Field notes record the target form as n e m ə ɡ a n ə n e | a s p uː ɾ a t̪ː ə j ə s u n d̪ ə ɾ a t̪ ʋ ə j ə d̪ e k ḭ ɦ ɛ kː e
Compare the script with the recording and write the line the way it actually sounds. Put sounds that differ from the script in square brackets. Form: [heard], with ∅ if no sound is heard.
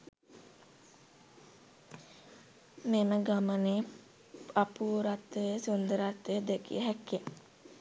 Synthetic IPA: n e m ə ɡ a [m] ə n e | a [∅] p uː ɾ a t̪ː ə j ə s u n d̪ ə ɾ a t̪ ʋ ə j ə d̪ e k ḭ ɦ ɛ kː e